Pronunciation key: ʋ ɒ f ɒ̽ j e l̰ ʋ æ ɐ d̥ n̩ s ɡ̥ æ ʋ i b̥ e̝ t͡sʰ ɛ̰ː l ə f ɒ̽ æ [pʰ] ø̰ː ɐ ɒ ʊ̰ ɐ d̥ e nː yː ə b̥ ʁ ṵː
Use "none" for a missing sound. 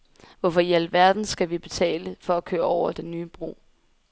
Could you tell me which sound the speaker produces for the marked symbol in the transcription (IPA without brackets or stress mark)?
kʰ